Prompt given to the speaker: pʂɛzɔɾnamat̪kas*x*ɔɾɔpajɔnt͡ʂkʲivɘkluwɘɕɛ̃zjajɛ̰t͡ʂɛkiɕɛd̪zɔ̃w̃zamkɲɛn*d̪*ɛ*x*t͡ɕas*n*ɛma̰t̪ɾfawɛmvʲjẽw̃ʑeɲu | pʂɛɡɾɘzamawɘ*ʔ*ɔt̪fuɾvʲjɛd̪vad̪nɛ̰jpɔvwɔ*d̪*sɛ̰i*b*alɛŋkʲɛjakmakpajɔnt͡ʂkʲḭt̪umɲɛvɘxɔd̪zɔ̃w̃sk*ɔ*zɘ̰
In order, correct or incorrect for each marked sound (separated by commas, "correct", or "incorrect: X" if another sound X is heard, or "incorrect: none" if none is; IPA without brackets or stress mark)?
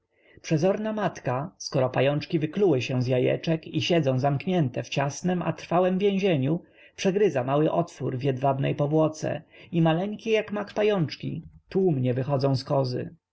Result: incorrect: k, incorrect: t̪, incorrect: f, correct, correct, incorrect: t̪, incorrect: m, correct